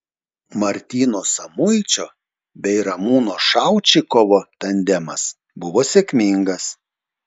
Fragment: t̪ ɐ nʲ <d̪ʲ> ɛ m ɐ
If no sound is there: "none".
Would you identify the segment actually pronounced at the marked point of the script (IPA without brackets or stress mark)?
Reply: d̪ʲ